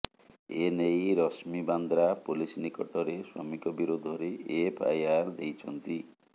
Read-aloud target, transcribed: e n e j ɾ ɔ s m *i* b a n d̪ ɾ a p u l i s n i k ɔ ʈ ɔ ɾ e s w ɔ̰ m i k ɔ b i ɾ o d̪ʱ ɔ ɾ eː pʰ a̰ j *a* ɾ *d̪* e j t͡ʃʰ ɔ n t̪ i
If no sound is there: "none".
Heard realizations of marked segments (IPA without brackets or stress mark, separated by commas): i, a, d̪